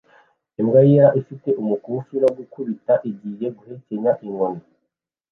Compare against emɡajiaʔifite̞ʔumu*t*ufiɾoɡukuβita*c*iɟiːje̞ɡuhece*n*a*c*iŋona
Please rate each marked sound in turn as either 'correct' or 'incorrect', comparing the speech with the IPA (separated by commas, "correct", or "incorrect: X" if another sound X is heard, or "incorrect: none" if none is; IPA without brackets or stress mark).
incorrect: k, incorrect: ʔ, incorrect: ɲ, incorrect: ʔ